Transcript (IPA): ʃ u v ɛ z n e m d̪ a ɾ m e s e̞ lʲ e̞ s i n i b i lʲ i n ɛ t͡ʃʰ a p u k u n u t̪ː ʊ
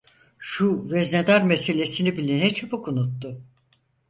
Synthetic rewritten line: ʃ u v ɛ z n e d̪ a ɾ m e s e̞ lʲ e̞ s i n i b i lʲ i n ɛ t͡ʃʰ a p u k u n u t̪ː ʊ